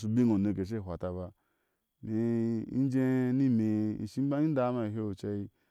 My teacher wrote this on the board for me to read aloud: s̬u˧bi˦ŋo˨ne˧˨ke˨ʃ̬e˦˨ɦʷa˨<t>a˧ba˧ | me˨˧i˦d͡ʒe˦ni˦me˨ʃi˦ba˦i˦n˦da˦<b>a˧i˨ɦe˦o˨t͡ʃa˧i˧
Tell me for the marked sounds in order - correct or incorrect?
correct, incorrect: m

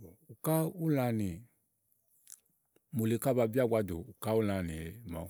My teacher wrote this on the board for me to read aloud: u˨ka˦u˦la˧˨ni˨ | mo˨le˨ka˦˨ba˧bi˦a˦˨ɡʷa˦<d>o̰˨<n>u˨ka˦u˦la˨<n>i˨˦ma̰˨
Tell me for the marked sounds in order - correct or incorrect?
correct, incorrect: none, correct

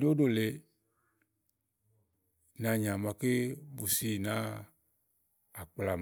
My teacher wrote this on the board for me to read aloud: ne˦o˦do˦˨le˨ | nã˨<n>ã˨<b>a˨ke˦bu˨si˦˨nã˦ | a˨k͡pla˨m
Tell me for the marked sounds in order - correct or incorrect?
incorrect: ɲ, incorrect: m

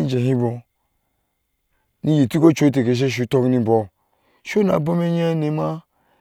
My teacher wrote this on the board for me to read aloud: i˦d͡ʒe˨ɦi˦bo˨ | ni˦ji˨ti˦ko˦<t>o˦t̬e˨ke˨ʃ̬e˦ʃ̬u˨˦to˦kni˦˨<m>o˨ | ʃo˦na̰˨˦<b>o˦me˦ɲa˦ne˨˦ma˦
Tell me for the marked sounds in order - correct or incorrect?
incorrect: t͡ʃ, incorrect: b, correct

